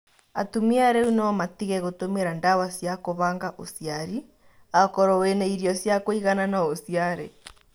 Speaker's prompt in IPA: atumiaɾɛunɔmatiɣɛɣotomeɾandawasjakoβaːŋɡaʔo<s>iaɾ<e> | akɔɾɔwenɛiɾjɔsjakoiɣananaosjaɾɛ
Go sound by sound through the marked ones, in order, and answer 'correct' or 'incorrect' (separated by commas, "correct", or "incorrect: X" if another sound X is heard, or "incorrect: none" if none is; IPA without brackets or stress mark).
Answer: correct, incorrect: i